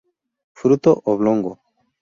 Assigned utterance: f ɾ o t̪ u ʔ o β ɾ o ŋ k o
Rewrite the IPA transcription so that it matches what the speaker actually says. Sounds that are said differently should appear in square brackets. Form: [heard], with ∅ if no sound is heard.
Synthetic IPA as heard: f ɾ [u] t̪ [o] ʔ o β [l] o ŋ [ɡ] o